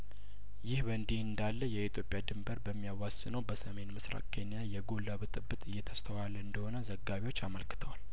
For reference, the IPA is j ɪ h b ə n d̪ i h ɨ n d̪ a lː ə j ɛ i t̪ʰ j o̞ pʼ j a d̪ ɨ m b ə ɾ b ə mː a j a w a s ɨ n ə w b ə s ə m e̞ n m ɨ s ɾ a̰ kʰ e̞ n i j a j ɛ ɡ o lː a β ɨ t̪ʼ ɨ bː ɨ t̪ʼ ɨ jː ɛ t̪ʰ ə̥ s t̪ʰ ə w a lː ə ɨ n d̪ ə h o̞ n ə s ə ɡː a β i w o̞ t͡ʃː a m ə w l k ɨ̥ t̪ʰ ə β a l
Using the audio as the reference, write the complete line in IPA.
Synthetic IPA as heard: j ɪ h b ə n d̪ i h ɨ n d̪ a lː ə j ɛ i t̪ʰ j o̞ pʼ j a d̪ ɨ m b ə ɾ b ə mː i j a w a s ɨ n ə w b ə s ə m e̞ n m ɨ s ɾ a̰ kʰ e̞ n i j a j ɛ ɡ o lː a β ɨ t̪ʼ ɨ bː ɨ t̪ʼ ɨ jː ɛ t̪ʰ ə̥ s t̪ʰ ə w a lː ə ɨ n d̪ ə h o̞ n ə z ə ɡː a β i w o̞ t͡ʃː a m ə l k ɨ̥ t̪ʰ ə w a l